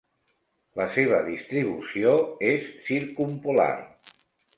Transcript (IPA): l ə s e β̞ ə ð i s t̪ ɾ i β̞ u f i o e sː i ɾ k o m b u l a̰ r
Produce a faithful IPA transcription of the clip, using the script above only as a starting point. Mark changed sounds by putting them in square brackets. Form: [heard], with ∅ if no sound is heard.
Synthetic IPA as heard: l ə s e β̞ ə ð i s t̪ ɾ i β̞ u [s] i o e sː i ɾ k [u] m [p] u l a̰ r